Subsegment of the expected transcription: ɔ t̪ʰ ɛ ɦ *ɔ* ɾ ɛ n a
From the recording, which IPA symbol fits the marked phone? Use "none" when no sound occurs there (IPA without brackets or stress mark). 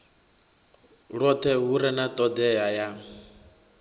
u